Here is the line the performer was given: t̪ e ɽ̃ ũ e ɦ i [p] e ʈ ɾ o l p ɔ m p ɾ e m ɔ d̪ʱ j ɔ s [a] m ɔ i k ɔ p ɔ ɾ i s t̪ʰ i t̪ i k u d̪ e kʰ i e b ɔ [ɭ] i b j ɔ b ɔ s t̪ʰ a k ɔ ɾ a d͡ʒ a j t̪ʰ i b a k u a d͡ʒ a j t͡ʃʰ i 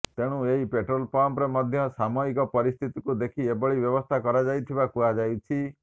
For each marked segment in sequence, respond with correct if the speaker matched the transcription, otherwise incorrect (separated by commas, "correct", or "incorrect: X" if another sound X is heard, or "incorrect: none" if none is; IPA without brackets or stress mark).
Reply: correct, correct, correct